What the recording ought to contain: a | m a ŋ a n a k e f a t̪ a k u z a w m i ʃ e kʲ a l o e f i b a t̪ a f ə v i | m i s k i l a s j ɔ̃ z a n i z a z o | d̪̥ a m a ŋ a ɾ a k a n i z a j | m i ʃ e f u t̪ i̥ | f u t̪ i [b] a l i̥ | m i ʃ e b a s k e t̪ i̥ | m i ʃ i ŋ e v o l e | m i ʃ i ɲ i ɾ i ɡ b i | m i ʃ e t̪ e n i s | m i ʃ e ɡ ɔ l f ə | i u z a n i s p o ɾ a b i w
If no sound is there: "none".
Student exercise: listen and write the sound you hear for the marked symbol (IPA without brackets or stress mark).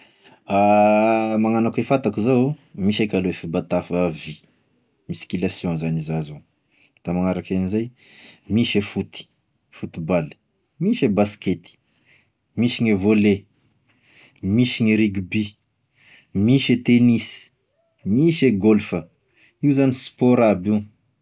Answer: b